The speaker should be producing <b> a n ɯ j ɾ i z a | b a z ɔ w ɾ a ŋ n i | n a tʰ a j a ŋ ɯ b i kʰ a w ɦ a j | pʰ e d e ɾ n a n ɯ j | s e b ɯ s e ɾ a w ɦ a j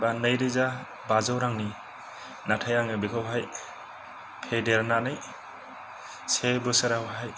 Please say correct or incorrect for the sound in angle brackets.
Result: correct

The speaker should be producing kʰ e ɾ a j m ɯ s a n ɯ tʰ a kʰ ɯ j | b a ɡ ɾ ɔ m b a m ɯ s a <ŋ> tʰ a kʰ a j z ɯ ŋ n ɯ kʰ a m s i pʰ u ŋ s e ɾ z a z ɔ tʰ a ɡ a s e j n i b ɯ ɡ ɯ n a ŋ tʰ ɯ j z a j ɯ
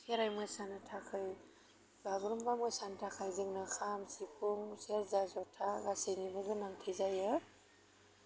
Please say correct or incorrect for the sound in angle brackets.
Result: incorrect: n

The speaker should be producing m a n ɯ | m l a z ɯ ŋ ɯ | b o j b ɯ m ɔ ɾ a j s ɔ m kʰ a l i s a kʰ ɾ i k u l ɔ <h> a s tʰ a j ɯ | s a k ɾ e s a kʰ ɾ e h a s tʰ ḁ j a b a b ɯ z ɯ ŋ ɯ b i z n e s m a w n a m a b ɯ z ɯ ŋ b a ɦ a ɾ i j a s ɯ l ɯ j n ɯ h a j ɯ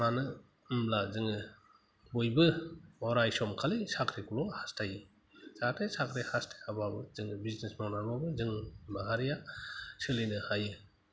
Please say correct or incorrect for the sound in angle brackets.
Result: correct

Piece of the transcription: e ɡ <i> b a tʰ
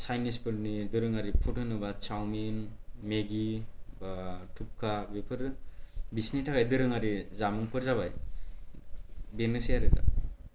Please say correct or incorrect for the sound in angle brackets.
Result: correct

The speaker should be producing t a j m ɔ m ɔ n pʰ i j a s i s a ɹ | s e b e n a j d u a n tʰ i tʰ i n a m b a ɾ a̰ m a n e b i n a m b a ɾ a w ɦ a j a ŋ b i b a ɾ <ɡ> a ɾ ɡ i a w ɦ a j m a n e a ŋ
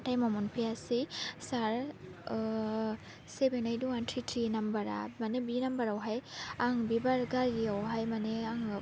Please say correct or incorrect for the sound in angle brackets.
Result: correct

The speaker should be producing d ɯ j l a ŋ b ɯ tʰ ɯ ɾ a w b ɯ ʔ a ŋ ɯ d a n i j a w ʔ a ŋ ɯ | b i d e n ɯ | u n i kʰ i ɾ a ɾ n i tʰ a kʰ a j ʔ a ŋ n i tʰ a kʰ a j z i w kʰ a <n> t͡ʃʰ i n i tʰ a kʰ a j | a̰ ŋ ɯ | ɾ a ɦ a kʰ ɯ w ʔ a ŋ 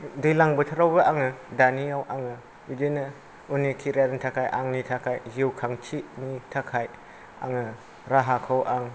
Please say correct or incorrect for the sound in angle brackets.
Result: incorrect: ŋ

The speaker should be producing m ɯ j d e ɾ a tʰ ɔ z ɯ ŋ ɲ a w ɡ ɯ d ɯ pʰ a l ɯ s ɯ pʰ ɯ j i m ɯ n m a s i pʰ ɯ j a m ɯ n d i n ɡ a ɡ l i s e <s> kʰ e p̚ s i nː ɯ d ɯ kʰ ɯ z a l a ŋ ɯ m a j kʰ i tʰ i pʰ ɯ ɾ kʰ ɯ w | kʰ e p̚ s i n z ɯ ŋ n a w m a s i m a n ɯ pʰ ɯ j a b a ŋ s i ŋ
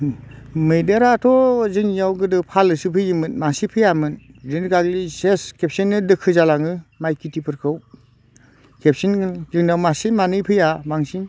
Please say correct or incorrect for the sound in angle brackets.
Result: correct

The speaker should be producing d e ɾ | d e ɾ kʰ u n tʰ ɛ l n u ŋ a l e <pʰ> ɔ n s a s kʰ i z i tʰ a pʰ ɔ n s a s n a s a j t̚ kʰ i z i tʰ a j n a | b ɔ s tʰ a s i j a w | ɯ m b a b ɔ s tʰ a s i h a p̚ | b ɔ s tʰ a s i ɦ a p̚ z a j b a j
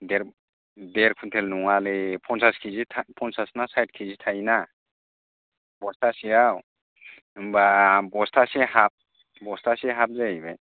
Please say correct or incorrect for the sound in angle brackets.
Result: correct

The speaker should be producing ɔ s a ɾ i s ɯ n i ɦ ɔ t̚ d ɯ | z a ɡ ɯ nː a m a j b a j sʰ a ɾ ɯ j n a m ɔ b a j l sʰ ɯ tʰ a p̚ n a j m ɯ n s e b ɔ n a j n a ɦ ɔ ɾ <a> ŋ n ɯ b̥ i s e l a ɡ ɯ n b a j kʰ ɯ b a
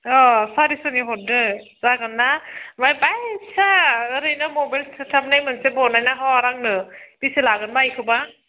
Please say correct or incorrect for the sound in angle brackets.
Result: correct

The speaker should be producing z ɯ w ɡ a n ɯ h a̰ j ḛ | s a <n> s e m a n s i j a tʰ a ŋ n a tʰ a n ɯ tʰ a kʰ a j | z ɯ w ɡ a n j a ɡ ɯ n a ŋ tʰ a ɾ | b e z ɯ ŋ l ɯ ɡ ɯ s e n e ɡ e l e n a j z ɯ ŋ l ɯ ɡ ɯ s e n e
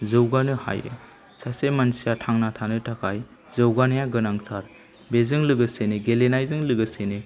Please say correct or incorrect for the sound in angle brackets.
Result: incorrect: none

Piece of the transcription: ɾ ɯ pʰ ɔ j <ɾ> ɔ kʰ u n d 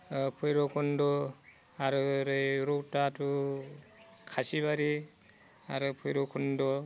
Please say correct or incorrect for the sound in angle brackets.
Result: correct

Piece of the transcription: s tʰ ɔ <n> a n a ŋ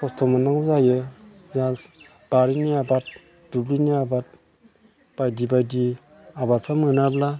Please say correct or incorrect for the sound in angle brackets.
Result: incorrect: m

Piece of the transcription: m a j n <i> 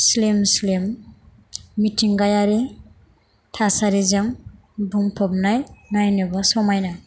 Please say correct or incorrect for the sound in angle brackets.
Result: incorrect: a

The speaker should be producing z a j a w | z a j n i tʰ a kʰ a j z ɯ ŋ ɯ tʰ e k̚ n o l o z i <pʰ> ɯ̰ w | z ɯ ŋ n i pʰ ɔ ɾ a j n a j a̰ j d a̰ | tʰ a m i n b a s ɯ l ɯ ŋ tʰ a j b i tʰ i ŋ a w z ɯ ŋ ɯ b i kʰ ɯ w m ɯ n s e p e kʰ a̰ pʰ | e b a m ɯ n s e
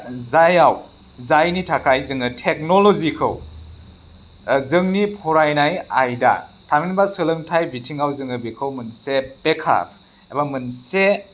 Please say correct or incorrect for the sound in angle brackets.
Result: incorrect: kʰ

